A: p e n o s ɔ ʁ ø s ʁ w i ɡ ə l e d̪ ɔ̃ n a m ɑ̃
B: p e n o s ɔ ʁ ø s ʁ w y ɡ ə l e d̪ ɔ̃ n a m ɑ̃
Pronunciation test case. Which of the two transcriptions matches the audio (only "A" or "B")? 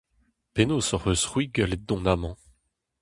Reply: A